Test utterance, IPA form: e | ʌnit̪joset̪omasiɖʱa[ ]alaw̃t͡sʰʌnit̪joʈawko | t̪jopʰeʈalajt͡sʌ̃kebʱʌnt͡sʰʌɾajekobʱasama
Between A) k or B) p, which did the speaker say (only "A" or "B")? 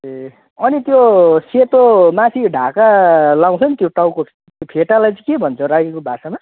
A